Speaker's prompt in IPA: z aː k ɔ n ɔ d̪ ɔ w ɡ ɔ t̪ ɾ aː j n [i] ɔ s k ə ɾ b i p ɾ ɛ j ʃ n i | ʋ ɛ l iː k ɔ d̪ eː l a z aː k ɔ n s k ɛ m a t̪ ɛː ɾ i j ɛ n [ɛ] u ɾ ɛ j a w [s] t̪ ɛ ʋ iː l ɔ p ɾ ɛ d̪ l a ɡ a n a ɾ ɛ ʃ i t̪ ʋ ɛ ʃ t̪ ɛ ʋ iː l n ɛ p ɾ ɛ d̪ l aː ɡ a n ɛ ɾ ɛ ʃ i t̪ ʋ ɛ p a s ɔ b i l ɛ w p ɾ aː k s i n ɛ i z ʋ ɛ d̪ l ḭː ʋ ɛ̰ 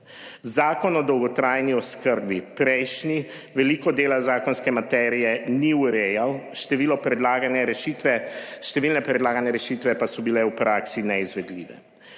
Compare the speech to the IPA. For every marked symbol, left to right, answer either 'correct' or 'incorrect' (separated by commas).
correct, incorrect, incorrect